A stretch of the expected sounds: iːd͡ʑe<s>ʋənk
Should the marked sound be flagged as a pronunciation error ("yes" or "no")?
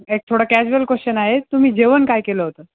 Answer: yes